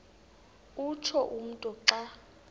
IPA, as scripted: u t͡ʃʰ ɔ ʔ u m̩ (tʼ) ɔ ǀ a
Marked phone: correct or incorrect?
correct